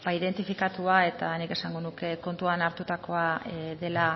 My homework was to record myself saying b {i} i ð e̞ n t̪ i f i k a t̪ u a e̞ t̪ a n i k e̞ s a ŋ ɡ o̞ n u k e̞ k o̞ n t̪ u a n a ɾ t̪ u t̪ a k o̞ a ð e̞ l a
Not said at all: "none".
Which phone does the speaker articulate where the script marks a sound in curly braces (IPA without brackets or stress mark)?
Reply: a